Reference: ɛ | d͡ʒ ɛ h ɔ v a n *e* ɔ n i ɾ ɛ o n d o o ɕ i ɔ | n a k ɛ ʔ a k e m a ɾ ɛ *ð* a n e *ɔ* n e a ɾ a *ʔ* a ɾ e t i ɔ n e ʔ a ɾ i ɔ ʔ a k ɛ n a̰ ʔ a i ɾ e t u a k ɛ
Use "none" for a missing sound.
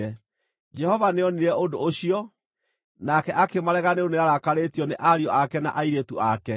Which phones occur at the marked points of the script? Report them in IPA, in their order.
e, ɣ, o, k

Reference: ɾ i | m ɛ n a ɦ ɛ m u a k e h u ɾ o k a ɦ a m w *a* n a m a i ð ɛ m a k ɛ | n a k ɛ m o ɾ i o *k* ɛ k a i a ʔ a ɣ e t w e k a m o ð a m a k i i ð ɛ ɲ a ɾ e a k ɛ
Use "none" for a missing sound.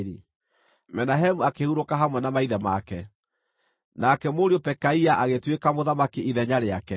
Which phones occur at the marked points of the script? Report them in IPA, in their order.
ɛ, p

